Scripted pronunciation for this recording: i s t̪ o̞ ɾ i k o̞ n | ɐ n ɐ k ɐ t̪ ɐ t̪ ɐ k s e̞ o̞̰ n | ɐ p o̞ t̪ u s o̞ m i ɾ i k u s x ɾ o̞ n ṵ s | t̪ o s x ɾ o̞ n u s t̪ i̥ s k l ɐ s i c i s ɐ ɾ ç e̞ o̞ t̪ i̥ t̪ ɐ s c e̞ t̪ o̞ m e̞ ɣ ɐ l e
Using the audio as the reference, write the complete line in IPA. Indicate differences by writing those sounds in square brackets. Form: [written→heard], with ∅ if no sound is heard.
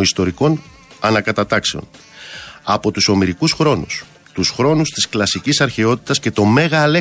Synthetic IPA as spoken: i s t̪ o̞ ɾ i k o̞ n | ɐ n ɐ k ɐ t̪ ɐ t̪ ɐ k s e̞ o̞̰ n | ɐ p o̞ t̪ u s o̞ m i ɾ i k u s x ɾ o̞ n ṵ s | t̪ [o→u] s x ɾ o̞ n u s t̪ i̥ s k l ɐ s i c i s ɐ ɾ ç e̞ o̞ t̪ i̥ t̪ ɐ s c e̞ t̪ o̞ m e̞ ɣ ɐ l e